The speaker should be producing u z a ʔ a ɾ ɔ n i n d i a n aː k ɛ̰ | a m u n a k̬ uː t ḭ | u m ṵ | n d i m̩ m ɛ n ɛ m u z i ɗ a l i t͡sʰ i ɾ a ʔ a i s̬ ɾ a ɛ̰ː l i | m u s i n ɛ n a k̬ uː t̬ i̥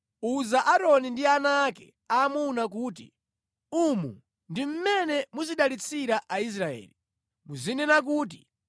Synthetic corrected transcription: u z a ʔ a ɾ ɔ n i n d i a n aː k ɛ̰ | a m u n a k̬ uː t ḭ | u m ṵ | n d i m̩ m ɛ n ɛ m u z i ɗ a l i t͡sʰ i ɾ a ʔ a i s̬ ɾ a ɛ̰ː l i | m u z i n ɛ n a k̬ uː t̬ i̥